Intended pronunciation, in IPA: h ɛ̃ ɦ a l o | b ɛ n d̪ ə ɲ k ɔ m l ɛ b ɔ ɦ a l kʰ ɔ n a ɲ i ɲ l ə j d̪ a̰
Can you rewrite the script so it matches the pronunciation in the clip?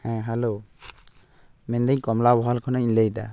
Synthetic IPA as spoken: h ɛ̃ ɦ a l o | m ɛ n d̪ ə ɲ k ɔ m l a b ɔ ɦ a l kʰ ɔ n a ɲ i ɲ l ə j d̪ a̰